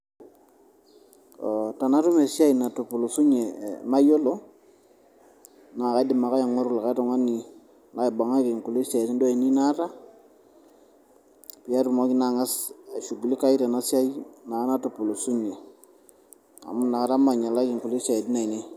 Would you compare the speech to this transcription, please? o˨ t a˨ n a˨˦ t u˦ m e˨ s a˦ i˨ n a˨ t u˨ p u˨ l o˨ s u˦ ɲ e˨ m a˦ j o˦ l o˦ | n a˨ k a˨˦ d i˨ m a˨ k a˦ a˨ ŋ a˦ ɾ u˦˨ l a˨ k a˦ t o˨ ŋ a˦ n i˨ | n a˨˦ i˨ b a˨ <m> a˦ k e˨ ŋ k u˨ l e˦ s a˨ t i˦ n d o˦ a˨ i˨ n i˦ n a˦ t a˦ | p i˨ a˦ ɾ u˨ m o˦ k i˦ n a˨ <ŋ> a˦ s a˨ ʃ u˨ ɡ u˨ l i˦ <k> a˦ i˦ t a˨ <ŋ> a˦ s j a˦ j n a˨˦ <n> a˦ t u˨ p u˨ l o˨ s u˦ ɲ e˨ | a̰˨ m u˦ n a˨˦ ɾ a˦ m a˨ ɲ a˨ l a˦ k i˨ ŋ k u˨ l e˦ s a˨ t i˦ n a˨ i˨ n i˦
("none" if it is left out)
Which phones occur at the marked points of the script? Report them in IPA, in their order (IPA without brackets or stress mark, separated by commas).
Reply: ŋ, ŋ, k, n, n